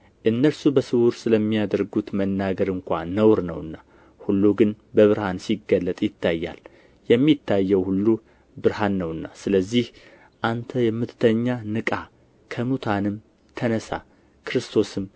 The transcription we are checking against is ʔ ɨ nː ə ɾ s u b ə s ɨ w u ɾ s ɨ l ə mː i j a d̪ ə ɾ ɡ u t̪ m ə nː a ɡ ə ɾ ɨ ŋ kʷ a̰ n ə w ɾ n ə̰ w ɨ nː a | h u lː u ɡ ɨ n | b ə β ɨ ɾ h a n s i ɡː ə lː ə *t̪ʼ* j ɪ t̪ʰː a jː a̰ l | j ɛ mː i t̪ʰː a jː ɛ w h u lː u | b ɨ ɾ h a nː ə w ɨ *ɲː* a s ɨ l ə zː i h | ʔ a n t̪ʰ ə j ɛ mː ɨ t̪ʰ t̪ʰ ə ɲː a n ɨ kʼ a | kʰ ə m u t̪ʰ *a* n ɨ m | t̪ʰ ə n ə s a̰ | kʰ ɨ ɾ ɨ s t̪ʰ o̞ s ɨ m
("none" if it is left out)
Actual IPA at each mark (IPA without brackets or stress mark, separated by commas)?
t̪ʼ, nː, a